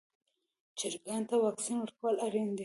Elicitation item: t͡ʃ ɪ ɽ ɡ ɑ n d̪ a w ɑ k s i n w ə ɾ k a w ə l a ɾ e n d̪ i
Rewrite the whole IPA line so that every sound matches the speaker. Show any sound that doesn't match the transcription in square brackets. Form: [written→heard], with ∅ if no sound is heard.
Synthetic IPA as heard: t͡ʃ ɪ [ɽ→ɾ] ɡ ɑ n [d̪→t̪] a w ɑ k s i n w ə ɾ k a w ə l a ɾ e n d̪ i